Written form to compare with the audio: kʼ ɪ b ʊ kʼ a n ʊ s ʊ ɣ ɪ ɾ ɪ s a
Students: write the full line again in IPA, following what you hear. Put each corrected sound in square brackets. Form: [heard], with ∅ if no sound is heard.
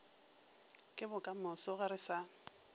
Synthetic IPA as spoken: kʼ ɪ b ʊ kʼ a [m] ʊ s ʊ ɣ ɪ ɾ ɪ s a